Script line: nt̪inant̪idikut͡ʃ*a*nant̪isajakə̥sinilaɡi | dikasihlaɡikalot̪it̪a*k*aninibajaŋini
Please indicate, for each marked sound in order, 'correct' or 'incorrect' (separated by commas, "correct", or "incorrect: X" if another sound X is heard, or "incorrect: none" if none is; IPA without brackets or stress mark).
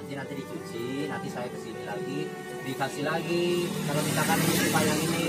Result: incorrect: i, correct